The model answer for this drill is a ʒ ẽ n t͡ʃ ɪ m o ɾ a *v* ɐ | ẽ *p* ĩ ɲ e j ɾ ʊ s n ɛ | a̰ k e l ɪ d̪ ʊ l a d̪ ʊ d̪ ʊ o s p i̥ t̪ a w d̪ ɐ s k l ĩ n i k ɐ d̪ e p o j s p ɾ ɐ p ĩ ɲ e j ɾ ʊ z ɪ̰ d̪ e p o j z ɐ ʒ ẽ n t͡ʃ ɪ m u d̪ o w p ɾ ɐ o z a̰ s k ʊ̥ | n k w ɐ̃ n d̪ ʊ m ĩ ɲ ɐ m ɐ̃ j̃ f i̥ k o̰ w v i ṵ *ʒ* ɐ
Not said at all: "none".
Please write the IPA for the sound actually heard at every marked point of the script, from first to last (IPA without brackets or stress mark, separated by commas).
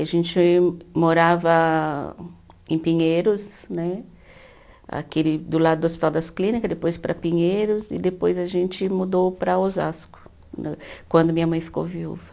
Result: v, p, v